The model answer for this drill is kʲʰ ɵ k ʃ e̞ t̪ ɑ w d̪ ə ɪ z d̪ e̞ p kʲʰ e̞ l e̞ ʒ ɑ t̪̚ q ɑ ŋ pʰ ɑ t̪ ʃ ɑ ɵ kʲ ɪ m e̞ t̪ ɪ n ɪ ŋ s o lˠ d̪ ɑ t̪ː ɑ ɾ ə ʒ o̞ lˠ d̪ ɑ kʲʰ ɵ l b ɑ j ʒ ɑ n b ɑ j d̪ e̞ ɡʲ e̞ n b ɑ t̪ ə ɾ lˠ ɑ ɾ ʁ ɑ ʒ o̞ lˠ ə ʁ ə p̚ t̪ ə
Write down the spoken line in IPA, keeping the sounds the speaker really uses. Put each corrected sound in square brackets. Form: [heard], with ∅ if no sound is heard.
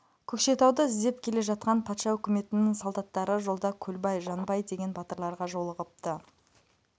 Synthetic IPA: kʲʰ ɵ k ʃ e̞ t̪ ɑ w d̪ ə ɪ z d̪ e̞ p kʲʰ e̞ l e̞ ʒ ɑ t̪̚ q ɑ [n] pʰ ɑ t̪ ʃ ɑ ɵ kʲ ɪ m e̞ t̪ ɪ n ɪ ŋ s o lˠ d̪ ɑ t̪ː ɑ ɾ ə ʒ o̞ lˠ d̪ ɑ kʲʰ ɵ l b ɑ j ʒ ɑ n b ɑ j d̪ e̞ ɡʲ e̞ n b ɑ t̪ ə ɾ lˠ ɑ ɾ ʁ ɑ ʒ o̞ lˠ ə ʁ ə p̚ t̪ ə